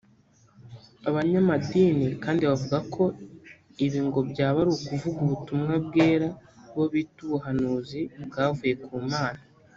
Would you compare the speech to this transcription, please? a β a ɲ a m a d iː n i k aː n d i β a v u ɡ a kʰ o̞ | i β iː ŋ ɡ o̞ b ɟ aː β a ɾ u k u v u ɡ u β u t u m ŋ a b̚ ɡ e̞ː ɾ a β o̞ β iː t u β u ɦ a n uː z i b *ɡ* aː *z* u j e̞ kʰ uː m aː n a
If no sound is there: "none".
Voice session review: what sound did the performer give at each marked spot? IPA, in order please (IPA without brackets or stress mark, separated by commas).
ɡ, v